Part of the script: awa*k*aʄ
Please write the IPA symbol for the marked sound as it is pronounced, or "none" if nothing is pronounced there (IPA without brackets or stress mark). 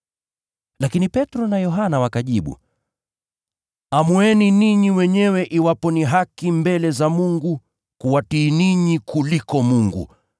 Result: k